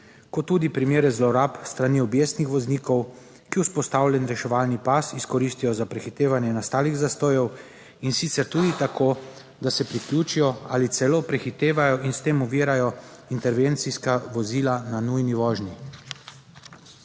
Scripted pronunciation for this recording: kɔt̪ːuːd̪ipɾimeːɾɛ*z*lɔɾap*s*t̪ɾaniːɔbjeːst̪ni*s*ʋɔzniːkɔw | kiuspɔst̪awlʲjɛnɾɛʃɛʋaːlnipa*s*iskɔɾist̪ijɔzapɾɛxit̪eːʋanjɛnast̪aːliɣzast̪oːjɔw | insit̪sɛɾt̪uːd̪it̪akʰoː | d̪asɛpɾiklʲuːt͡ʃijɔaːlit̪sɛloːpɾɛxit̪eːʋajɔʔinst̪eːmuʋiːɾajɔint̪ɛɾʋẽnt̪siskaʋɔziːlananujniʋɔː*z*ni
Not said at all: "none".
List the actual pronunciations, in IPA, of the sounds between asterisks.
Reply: z, s, x, s, ʒ

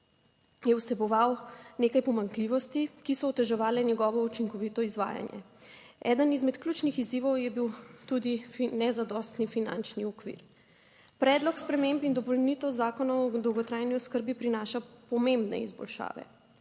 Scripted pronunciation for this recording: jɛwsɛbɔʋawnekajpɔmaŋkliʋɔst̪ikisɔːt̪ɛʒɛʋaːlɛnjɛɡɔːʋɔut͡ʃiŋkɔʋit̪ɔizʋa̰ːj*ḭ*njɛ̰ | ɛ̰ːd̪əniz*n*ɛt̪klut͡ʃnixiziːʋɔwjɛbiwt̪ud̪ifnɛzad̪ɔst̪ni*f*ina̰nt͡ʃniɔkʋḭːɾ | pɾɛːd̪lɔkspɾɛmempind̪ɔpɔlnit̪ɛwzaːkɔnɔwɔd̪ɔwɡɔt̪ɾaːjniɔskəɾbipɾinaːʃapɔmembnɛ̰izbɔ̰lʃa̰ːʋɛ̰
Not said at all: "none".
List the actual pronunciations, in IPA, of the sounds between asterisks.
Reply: a̰, m, f

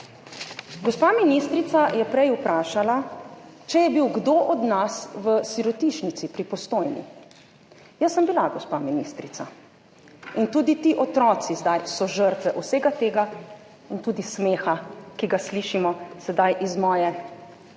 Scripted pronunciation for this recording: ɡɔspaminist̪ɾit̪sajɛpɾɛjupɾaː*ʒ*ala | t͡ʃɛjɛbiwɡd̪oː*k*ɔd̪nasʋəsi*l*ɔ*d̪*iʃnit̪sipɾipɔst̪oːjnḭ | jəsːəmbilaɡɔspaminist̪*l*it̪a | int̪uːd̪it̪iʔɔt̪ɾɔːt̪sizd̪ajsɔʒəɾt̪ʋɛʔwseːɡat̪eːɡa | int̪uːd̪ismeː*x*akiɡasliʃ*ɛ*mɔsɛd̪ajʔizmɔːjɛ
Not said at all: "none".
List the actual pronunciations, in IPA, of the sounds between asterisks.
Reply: ʃ, ʔ, ɾ, t̪, ɾ, x, i

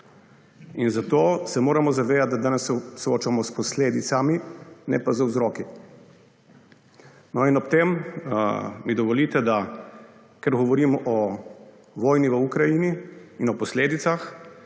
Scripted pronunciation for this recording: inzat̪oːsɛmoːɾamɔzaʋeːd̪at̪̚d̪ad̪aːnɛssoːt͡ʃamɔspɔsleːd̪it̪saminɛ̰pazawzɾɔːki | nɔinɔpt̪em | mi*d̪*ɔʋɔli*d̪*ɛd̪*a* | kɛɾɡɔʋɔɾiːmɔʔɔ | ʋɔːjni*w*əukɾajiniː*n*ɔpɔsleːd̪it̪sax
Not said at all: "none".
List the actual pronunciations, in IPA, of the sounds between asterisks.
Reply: d̪, t̪, a, ʋ, n

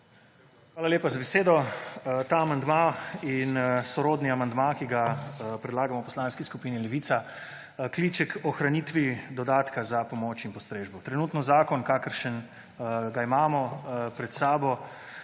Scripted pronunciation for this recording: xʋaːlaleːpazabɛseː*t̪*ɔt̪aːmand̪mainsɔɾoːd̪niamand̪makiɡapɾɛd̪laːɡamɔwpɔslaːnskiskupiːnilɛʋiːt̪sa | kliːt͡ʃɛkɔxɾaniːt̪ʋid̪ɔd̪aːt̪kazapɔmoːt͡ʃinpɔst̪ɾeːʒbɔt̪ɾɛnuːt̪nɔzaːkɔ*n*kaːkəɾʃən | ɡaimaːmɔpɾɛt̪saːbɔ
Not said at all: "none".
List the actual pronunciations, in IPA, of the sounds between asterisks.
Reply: d̪, n

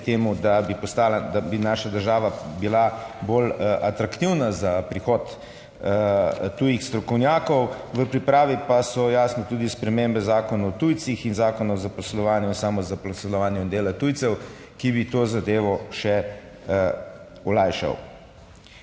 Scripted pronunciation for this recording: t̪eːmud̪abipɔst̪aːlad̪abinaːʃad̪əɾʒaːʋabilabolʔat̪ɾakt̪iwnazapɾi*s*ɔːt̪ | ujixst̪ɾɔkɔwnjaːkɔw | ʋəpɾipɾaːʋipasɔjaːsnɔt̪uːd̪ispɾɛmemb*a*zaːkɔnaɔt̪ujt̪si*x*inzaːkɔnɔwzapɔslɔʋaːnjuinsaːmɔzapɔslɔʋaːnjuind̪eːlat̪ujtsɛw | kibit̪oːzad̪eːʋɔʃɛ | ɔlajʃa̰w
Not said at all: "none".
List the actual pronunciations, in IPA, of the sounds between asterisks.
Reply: x, ɛ, x

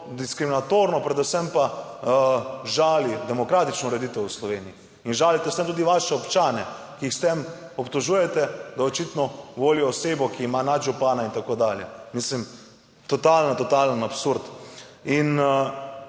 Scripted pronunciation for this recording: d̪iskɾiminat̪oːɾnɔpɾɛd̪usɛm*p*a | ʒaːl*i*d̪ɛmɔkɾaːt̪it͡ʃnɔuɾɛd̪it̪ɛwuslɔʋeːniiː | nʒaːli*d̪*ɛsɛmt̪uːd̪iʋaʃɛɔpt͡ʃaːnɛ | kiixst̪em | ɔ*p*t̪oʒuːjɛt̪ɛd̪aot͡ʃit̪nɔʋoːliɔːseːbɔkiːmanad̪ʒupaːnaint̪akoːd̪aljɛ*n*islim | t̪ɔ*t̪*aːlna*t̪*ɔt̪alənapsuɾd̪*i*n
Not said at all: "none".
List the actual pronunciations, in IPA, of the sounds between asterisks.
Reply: p, i, t̪, p, m, t̪, t̪, i

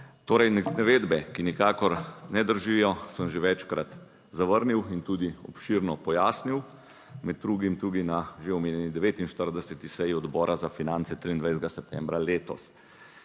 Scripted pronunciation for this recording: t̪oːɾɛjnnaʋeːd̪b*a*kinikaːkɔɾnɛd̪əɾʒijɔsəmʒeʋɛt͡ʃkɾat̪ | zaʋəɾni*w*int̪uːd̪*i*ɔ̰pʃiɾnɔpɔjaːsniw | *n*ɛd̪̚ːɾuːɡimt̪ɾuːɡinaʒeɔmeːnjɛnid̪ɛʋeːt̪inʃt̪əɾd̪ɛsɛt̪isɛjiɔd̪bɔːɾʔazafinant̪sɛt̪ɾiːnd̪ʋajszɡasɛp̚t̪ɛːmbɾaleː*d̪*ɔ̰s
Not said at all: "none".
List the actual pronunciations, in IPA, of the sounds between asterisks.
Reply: ɛ, w, i, m, t̪

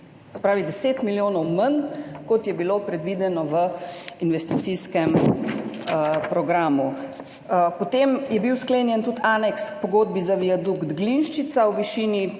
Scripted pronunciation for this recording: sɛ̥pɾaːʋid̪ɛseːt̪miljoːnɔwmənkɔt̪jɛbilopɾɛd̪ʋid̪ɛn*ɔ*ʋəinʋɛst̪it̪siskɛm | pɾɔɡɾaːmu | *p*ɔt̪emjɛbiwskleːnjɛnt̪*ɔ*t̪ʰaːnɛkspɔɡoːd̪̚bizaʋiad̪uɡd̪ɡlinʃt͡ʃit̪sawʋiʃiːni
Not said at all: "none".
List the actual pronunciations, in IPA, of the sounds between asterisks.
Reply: ɔ, p, u

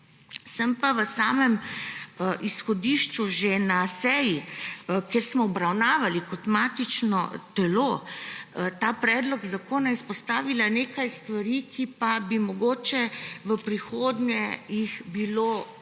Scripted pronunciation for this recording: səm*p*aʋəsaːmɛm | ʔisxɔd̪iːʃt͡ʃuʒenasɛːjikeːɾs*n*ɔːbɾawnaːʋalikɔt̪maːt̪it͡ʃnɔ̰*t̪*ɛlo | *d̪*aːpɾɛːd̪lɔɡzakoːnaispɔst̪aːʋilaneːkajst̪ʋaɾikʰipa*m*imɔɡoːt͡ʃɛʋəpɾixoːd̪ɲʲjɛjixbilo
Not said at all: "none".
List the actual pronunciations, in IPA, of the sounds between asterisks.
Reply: p, m, t̪, t̪, b

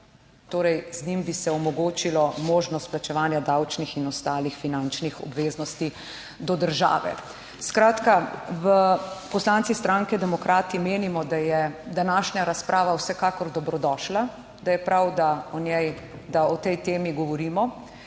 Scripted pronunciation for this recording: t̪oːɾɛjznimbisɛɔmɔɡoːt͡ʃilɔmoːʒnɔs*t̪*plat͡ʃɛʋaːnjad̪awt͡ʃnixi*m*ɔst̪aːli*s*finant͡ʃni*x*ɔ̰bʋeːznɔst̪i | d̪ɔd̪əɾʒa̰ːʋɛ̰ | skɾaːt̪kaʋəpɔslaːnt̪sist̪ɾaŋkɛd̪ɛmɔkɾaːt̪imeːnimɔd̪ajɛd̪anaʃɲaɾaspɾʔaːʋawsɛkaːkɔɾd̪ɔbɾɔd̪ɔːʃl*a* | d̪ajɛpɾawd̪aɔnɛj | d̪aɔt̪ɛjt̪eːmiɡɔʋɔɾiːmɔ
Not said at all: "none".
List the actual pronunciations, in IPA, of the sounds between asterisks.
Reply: t̪, n, x, x, a

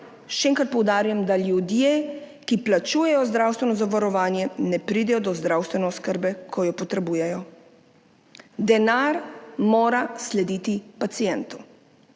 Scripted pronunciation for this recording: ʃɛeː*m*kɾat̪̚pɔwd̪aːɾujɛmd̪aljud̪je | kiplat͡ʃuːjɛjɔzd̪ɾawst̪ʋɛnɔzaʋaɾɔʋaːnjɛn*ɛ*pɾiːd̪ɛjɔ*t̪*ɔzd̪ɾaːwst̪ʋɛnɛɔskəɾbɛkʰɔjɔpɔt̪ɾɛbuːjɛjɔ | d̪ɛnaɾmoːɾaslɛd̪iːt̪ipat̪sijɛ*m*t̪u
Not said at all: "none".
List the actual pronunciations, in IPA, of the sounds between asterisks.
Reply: ŋ, ɛ, d̪, n

